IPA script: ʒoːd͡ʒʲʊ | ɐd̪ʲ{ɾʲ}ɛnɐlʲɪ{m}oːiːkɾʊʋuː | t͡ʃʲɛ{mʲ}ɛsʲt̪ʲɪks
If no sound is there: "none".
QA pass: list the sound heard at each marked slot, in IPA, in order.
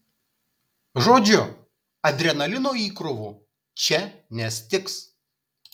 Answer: ɾʲ, n, nʲ

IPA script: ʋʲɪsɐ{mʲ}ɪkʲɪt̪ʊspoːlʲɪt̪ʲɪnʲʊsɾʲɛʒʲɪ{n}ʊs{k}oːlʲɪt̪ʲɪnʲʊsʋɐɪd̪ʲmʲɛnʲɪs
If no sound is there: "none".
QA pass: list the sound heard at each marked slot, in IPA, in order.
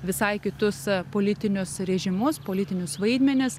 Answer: none, m, p

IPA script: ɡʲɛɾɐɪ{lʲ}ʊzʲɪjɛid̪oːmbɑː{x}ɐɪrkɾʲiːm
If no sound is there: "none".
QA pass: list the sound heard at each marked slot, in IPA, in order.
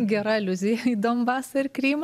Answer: lʲ, s

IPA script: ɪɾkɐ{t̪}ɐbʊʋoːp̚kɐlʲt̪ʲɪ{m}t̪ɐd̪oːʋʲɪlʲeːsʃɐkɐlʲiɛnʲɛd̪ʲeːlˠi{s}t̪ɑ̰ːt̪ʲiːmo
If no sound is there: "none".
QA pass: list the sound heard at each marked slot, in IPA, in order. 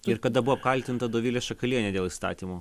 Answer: d̪, n, s

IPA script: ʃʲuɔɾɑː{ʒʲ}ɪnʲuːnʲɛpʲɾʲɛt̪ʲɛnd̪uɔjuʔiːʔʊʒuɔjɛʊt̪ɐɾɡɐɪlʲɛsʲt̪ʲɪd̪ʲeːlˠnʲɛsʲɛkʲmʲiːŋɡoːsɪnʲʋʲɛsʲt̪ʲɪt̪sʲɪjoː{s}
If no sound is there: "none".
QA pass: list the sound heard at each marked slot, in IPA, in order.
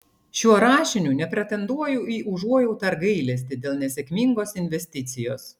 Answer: ʃʲ, s

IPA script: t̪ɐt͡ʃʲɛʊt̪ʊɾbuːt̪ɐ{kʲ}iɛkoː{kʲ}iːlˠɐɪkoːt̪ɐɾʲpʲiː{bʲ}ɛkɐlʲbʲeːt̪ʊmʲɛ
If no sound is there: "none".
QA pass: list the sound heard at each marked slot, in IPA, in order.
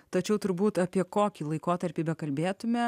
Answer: pʲ, kʲ, bʲ

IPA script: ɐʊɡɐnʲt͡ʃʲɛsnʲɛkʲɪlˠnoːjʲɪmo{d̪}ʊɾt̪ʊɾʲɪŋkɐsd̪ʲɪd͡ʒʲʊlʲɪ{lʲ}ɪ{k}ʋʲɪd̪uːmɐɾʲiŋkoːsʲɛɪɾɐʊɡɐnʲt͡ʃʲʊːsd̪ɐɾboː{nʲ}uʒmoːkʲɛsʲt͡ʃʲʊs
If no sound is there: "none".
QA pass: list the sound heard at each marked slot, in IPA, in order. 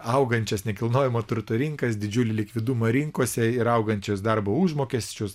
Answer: t̪, lʲ, k, none

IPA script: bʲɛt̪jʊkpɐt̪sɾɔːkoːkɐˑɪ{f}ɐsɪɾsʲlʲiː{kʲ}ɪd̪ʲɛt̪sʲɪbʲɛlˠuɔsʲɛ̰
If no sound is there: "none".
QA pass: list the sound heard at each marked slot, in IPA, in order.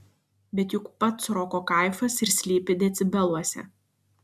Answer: f, pʲ

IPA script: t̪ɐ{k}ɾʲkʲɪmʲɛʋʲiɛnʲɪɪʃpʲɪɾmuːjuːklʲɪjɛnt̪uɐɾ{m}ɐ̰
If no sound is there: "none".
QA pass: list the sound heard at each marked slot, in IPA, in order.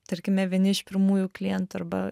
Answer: none, b

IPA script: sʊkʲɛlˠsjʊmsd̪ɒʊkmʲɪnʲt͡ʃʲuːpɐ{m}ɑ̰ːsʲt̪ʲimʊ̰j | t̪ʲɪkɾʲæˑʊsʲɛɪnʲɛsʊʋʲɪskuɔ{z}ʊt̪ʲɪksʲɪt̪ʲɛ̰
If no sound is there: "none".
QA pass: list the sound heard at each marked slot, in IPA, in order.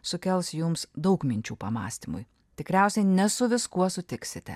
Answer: m, s

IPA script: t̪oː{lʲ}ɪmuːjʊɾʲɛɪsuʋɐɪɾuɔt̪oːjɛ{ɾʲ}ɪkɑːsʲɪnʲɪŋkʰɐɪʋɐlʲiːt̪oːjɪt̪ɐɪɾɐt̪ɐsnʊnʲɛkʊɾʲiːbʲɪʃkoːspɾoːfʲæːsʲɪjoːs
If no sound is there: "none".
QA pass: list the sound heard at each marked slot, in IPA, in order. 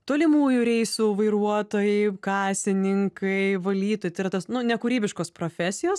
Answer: lʲ, none

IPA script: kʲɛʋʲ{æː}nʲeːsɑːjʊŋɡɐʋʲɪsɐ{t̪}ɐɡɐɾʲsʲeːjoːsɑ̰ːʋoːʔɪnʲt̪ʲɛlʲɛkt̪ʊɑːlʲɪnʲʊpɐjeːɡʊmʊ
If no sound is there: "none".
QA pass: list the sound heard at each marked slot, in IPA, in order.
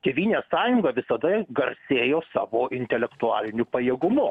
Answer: iː, d̪

